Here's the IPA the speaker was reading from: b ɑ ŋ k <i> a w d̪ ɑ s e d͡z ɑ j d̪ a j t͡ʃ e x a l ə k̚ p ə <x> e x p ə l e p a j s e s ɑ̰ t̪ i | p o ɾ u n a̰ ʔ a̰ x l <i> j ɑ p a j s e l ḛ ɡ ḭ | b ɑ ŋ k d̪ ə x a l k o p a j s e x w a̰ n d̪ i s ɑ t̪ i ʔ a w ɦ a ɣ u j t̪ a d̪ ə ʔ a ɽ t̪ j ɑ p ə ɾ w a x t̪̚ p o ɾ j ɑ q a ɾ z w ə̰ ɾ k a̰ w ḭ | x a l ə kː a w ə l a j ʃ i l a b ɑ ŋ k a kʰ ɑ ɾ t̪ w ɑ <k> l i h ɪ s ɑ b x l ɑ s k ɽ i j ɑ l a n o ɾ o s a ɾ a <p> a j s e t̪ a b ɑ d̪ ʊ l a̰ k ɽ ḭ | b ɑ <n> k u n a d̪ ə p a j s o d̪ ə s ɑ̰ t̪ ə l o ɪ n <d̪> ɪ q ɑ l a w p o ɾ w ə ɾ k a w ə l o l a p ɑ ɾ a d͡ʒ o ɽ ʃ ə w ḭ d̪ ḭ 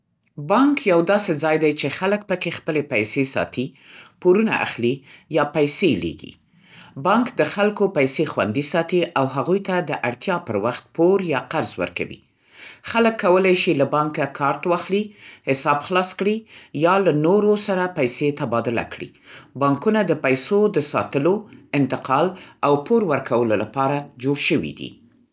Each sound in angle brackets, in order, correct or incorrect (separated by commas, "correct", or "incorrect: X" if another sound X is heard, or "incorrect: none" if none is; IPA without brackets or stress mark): incorrect: j, incorrect: k, correct, incorrect: x, correct, incorrect: ŋ, incorrect: t̪